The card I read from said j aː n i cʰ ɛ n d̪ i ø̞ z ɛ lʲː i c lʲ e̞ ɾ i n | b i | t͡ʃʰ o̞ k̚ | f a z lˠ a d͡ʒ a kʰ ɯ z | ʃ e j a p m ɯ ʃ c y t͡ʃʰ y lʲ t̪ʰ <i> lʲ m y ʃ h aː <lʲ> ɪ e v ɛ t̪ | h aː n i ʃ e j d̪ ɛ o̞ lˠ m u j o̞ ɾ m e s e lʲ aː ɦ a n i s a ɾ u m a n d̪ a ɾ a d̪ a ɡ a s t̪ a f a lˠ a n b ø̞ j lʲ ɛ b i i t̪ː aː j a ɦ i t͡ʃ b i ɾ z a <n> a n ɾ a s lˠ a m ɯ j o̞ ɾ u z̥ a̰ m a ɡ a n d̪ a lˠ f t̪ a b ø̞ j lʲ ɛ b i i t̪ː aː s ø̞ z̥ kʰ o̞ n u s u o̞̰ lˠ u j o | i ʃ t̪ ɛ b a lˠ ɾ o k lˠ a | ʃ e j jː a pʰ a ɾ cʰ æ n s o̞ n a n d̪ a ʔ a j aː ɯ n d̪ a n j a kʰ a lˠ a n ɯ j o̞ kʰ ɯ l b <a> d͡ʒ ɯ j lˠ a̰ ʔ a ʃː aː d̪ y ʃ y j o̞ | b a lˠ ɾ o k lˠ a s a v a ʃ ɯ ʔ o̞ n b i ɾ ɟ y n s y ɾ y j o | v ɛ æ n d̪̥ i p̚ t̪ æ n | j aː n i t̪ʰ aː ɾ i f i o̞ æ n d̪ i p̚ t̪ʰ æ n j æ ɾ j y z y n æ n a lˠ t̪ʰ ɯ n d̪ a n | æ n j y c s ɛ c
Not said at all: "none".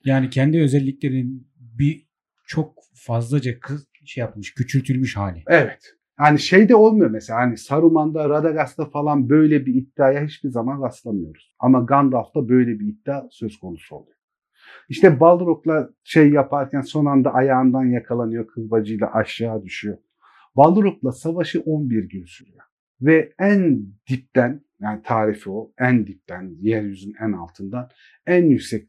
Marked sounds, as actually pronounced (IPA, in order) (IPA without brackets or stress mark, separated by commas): y, lʲ, m, a